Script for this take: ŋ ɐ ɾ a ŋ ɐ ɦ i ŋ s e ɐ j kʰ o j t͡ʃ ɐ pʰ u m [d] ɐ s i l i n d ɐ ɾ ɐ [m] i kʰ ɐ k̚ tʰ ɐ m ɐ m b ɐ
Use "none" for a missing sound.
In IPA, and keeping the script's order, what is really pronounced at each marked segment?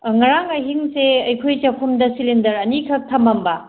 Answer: d, n

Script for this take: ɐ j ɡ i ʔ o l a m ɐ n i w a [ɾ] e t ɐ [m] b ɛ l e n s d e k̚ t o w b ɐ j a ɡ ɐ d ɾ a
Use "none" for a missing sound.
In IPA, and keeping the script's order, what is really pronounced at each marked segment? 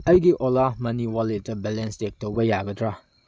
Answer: l, none

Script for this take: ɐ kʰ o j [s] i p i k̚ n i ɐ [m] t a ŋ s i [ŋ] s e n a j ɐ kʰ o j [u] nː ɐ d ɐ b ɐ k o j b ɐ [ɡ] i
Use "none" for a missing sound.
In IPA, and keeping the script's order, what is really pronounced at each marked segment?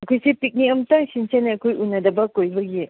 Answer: s, m, n, u, ɡ

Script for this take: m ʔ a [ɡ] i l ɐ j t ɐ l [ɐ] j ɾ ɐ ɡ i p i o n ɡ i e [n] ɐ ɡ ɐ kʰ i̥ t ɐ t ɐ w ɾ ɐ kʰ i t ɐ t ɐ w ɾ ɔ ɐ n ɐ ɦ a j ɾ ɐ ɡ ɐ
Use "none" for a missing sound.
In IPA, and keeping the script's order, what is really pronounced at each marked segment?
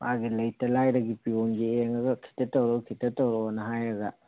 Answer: ɡ, a, ŋ

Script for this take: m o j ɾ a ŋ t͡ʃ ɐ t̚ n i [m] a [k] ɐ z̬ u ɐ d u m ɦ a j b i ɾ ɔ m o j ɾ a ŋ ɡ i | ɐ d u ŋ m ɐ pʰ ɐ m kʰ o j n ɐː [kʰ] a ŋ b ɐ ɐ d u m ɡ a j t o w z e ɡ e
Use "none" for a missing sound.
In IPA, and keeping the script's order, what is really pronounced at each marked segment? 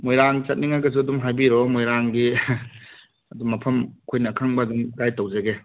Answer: ŋ, ɡ, kʰ

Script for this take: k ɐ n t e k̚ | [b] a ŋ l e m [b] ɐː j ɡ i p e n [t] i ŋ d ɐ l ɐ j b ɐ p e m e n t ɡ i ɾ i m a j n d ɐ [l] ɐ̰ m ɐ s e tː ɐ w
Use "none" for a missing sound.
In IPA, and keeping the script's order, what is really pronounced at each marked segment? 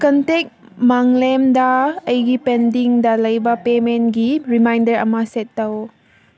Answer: m, d, d, ɾ

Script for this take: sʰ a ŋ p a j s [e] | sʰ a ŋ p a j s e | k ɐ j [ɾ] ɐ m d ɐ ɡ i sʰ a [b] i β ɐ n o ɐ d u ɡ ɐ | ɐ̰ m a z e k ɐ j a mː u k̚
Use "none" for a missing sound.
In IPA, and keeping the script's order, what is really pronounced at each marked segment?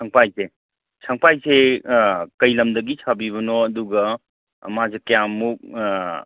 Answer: e, l, b

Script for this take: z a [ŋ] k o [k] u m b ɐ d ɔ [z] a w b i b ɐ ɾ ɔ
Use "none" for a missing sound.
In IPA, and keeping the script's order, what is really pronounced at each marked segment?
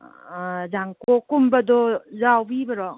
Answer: ŋ, k, z

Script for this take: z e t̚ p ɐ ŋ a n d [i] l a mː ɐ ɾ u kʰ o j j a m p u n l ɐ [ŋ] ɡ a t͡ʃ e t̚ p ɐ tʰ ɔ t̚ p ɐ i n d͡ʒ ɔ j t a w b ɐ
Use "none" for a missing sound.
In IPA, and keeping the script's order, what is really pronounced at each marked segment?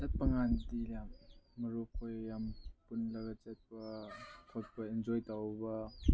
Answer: i, none

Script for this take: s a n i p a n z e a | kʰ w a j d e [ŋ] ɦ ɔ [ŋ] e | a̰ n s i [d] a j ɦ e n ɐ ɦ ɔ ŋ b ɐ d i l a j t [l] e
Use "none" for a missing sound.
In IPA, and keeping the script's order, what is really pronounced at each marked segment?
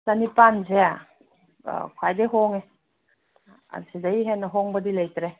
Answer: none, ŋ, d, ɾ

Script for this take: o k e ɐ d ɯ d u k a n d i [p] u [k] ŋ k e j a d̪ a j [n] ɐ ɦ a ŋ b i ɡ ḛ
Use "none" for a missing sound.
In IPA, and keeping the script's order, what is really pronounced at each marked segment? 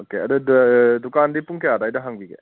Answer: p, none, d

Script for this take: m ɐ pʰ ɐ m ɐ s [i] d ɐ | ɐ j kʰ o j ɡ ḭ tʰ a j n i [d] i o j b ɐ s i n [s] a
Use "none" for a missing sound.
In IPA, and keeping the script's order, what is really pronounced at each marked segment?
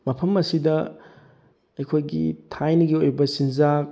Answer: i, ɡ, z

